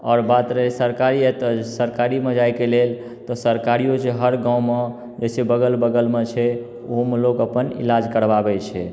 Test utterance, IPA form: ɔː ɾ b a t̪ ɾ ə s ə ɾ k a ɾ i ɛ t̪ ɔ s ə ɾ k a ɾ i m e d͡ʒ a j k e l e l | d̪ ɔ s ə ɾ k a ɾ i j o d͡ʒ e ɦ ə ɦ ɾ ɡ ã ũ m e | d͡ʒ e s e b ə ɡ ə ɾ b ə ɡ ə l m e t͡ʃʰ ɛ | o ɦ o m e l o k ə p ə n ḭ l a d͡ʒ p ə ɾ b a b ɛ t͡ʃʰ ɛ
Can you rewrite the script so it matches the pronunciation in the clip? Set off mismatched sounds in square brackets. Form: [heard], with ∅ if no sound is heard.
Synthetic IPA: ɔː ɾ b a t̪ ɾ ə s ə ɾ k a ɾ i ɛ t̪ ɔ s ə ɾ k a ɾ i m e d͡ʒ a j k e l e l | [t̪] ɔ s ə ɾ k a ɾ i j o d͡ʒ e ɦ ə [∅] ɾ ɡ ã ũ m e | d͡ʒ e s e b ə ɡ ə [l] b ə ɡ ə l m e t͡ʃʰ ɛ | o ɦ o m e l o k ə p ə n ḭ l a d͡ʒ [k] ə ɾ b a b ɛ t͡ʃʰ ɛ